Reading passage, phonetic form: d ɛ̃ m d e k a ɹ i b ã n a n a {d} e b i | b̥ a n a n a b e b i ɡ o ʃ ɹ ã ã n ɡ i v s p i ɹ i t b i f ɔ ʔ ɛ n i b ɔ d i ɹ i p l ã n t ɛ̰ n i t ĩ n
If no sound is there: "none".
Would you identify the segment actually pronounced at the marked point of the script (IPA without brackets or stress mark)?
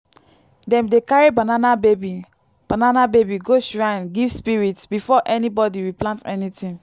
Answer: b